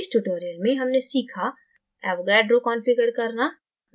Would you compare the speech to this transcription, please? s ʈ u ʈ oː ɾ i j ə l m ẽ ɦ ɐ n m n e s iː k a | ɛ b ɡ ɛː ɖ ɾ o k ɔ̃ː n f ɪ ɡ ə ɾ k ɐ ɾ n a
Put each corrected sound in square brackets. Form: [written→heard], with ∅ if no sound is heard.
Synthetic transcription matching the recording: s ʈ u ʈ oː ɾ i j ə l m ẽ ɦ ɐ [n→∅] m n e s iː [k→kʰ] a | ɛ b ɡ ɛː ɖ ɾ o k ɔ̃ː n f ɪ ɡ ə ɾ k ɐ ɾ n a